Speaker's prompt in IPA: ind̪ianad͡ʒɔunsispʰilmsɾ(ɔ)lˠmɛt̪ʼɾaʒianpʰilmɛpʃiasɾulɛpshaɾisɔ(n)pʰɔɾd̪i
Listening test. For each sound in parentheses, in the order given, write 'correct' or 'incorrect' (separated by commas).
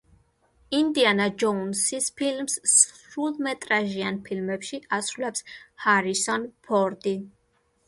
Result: incorrect, correct